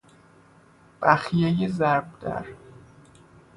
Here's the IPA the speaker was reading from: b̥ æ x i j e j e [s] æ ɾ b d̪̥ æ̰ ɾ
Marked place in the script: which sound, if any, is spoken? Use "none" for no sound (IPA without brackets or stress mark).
z